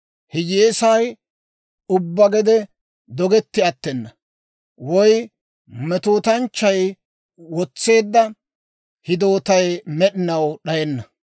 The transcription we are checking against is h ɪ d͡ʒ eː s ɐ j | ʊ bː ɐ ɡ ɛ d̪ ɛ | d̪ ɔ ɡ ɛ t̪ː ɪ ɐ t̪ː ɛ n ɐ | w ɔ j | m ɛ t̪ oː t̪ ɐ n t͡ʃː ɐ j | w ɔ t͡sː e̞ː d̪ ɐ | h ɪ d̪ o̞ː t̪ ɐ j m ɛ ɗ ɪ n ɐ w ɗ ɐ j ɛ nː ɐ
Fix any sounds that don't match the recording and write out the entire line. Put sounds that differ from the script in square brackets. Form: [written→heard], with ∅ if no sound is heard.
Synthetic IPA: h ɪ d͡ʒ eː s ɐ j | ʊ bː ɐ ɡ ɛ d̪ ɛ | d̪ ɔ ɡ ɛ t̪ː ɪ ɐ t̪ː ɛ [n→nː] ɐ | w ɔ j | m ɛ t̪ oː t̪ ɐ n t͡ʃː ɐ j | w ɔ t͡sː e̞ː [d̪→d̪ː] ɐ | h ɪ d̪ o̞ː t̪ ɐ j m ɛ ɗ ɪ n ɐ w ɗ ɐ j ɛ nː ɐ